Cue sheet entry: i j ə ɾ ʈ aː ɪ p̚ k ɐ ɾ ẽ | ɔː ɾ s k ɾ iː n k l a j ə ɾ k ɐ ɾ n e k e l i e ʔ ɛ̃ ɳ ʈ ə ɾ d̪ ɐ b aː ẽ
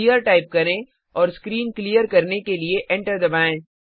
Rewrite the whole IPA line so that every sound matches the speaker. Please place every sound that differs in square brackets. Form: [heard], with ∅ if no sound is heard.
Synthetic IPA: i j ə ɾ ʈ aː ɪ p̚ k ɐ ɾ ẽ | ɔː ɾ s k ɾ iː n k l [i] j ə ɾ k ɐ ɾ n e k e l i e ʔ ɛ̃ ɳ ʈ ə ɾ d̪ ɐ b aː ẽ